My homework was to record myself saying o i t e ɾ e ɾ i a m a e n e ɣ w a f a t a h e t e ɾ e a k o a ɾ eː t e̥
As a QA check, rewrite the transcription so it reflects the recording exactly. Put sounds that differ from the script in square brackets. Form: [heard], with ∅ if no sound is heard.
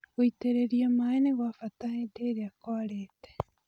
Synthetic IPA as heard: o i t e ɾ e ɾ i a m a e n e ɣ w a f a t a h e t e ɾ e a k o a ɾ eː t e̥